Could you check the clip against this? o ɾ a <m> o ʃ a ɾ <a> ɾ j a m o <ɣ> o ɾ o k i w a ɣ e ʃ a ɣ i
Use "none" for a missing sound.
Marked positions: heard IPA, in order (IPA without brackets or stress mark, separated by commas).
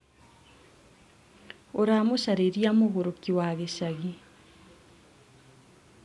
m, e, ɣ